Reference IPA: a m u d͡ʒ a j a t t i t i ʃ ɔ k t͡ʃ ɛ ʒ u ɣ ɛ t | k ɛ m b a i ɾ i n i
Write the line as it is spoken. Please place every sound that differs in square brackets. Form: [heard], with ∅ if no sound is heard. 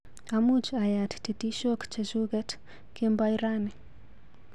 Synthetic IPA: a m u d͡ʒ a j a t t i t i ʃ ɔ k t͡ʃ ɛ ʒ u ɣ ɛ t | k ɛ m b a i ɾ [a] n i